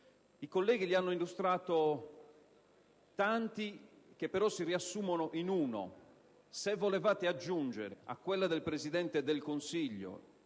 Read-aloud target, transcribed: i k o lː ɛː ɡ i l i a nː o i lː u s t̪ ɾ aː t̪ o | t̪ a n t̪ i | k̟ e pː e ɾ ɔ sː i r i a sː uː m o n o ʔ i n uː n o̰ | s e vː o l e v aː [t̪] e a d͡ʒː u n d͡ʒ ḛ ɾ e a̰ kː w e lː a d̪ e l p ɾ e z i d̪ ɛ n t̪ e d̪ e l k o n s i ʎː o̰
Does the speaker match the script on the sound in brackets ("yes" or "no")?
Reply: yes